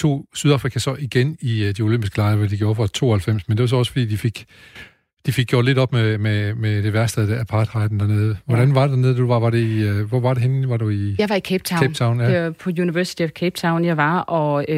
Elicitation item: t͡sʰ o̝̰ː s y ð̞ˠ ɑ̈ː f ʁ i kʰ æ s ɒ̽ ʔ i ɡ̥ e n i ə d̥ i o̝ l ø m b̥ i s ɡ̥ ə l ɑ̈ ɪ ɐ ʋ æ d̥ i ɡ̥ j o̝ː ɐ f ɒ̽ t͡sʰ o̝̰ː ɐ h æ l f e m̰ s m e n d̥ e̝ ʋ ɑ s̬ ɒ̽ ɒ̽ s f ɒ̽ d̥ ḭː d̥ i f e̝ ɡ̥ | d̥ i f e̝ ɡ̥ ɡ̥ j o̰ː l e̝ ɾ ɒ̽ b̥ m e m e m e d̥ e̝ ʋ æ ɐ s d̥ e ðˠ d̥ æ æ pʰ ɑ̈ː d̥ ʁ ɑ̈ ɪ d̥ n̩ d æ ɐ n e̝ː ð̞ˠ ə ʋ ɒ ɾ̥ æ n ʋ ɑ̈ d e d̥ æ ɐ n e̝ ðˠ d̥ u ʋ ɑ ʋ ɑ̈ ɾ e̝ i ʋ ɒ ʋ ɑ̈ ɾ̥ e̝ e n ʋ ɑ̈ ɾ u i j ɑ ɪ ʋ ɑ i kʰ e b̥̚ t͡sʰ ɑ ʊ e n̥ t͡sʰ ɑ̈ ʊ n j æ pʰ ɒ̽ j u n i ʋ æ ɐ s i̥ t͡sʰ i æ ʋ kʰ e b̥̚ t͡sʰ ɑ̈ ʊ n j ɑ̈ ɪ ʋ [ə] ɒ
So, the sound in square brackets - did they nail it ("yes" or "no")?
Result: no